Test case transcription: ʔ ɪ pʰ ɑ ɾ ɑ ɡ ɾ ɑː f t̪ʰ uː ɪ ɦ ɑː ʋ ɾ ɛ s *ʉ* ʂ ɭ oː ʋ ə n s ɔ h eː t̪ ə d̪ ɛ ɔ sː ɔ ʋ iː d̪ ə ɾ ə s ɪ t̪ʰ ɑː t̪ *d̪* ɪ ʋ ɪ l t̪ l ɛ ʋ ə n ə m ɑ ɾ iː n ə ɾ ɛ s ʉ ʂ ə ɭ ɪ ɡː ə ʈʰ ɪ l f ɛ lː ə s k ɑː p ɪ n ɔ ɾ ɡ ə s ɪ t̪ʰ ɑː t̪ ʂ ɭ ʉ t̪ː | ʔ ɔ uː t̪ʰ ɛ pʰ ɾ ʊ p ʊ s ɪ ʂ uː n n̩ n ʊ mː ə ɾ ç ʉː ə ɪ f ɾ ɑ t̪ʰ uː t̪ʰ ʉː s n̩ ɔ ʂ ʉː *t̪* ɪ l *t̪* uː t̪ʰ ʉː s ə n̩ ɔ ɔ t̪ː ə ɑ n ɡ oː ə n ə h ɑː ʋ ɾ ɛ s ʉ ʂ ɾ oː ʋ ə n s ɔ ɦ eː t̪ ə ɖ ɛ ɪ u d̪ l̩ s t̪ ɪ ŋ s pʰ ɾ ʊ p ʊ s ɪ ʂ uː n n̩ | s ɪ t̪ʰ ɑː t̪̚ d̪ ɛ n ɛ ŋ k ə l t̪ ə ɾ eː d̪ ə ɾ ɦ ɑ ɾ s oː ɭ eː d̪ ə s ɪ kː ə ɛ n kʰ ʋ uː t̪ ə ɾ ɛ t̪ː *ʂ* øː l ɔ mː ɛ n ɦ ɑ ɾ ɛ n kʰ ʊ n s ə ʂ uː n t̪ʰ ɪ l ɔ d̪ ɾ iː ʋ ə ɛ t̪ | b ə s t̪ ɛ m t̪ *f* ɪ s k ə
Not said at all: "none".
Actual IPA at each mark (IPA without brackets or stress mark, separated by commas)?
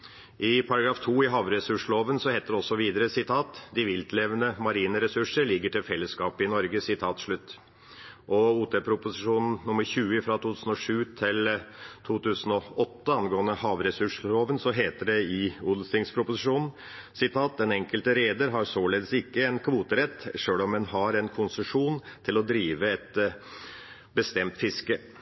ʉ, d̪, t̪ʰ, t̪ʰ, ʂ, f